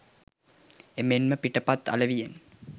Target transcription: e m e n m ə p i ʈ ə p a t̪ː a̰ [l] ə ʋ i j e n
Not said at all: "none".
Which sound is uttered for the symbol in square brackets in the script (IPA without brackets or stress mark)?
l